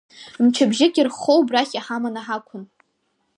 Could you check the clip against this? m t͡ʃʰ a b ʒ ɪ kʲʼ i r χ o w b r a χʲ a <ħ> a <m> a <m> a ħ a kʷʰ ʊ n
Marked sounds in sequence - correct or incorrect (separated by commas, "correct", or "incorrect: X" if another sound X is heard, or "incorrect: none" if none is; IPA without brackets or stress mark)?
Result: correct, correct, incorrect: n